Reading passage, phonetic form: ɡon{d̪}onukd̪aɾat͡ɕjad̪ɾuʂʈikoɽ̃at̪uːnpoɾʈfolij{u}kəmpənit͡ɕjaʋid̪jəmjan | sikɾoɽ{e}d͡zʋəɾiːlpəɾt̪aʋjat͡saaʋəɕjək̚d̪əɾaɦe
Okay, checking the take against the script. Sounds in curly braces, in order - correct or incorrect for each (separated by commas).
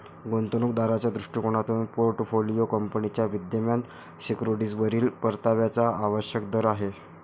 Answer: incorrect, incorrect, incorrect